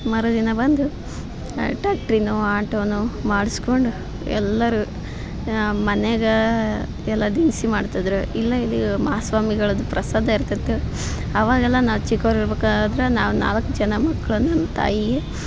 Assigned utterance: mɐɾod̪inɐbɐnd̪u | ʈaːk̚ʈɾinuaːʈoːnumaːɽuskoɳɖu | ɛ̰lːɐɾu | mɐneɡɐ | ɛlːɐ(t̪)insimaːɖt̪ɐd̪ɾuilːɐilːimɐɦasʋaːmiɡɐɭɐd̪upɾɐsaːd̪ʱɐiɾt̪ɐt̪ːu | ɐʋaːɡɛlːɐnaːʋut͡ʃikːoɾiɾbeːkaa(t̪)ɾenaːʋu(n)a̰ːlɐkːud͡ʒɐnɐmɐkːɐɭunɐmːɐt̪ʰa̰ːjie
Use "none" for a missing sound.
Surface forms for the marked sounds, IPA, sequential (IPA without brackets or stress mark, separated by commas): d̪, d̪, n